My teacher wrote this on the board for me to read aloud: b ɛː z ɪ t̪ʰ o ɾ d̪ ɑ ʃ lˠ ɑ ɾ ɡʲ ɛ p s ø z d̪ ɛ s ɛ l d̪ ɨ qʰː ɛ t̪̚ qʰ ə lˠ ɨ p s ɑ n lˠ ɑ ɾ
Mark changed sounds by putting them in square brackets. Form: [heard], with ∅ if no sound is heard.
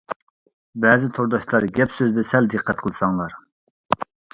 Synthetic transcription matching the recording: b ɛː z ɪ t̪ʰ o ɾ d̪ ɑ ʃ lˠ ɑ ɾ ɡʲ ɛ p s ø z d̪ ɛ s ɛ l d̪ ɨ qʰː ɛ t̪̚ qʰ ə lˠ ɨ [∅] s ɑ [ŋ] lˠ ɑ ɾ